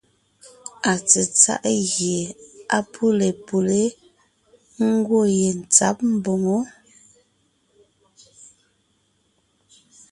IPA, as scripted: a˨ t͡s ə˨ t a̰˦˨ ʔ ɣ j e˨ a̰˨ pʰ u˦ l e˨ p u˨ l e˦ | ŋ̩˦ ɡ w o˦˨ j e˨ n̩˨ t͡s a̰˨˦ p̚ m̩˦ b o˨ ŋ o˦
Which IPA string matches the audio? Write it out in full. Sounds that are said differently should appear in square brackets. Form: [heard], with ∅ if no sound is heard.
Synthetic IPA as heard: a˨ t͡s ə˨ [t͡s] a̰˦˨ ʔ ɣ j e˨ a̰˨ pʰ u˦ l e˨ p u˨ l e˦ | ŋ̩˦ ɡ w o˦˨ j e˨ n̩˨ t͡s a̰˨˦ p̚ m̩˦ b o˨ ŋ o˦